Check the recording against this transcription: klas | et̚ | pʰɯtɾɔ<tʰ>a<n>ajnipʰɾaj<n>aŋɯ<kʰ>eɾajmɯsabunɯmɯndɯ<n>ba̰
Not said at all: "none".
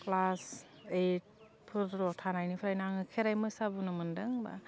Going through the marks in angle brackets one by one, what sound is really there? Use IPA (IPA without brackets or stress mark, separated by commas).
tʰ, n, n, kʰ, ŋ